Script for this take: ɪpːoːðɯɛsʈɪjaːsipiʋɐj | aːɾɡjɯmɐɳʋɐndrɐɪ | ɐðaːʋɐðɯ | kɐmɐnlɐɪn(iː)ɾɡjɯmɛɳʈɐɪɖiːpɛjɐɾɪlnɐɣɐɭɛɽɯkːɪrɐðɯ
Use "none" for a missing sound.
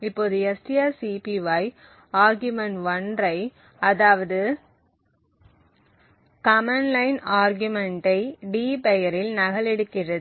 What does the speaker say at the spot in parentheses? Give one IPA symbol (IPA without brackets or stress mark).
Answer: aː